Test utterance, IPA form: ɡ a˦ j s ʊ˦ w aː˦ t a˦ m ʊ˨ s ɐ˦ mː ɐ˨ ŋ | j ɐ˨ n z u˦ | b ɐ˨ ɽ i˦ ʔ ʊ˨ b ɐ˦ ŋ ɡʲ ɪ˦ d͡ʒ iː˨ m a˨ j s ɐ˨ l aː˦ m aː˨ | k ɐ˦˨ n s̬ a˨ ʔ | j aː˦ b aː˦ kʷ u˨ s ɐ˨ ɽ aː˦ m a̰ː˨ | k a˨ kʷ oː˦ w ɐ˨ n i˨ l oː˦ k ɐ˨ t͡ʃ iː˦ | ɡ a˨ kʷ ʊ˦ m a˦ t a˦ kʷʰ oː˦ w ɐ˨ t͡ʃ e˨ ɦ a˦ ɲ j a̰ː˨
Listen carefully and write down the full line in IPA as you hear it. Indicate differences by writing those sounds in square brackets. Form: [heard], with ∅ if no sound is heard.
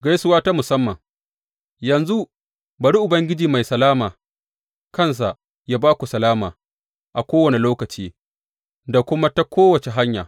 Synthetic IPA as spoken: ɡ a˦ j s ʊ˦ w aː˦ t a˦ m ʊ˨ s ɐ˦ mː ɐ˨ ŋ | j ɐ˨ n z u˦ | b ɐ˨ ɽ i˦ ʔ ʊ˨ b ɐ˦ ŋ ɡʲ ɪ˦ d͡ʒ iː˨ m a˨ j s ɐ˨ l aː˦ m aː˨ | k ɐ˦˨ n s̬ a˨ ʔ | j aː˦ b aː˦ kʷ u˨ s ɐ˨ [l] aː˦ m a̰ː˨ | [ʔ] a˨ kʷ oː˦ w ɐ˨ n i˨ l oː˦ k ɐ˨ t͡ʃ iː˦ | [d] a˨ kʷ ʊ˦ m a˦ t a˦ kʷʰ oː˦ w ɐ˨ t͡ʃ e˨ ɦ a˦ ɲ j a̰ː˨